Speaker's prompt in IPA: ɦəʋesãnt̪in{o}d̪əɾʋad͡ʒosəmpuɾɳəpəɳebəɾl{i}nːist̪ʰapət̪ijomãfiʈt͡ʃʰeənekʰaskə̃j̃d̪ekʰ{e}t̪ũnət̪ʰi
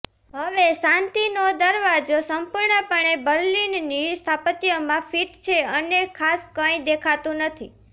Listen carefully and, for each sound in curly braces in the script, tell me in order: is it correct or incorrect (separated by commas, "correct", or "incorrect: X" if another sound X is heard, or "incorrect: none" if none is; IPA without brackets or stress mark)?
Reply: correct, correct, incorrect: a